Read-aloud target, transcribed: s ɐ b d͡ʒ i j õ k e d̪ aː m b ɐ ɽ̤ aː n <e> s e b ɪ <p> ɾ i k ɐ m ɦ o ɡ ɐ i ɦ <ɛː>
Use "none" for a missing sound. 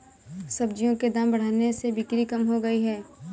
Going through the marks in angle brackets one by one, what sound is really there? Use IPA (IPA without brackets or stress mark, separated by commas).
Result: e, k, ɛː